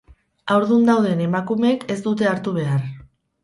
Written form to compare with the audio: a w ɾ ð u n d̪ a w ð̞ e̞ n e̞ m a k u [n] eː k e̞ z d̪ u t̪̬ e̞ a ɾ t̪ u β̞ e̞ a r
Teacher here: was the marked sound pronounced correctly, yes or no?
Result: no